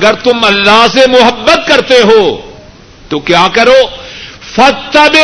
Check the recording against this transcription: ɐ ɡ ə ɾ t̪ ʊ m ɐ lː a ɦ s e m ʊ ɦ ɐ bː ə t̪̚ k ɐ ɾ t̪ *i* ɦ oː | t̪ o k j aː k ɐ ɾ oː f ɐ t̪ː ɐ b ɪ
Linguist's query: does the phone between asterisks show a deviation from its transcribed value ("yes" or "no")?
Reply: yes